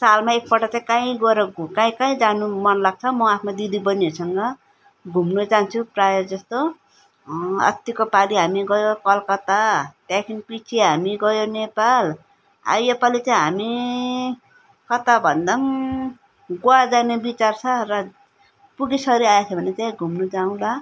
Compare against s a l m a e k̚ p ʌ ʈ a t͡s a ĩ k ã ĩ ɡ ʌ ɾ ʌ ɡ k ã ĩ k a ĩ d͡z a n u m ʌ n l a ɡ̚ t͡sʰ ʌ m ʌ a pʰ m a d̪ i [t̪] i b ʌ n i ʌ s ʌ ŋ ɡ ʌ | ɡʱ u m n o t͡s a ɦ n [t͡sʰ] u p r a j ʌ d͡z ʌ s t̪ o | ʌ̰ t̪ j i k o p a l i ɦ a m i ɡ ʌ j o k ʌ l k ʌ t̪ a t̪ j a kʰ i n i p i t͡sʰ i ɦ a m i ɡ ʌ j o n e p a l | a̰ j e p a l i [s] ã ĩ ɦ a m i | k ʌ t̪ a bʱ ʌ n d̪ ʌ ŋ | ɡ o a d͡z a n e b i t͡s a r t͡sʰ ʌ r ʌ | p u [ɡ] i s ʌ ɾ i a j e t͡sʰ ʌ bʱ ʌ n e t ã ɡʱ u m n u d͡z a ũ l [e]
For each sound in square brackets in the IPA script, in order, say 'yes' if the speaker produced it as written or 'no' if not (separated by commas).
no, yes, no, yes, no